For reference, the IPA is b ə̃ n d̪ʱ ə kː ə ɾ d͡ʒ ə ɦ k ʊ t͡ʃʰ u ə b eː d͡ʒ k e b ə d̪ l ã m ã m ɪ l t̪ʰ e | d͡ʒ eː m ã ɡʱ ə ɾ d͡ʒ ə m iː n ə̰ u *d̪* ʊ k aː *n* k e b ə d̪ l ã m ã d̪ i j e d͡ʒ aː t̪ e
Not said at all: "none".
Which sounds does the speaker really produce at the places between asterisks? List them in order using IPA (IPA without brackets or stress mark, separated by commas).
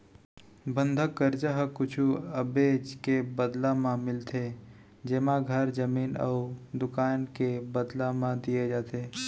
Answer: d̪, n